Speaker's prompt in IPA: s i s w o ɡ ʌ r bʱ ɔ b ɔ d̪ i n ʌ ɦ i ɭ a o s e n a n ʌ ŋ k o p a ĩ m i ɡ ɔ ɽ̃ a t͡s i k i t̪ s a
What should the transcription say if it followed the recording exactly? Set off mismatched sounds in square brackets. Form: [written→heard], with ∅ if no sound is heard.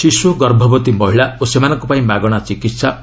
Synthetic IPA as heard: s i s w o ɡ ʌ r bʱ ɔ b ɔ [d̪→t̪] i [n→m] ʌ ɦ i ɭ a o s e [n→m] a n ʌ ŋ k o p a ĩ m [i→a] ɡ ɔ ɽ̃ a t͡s i k i t̪ s a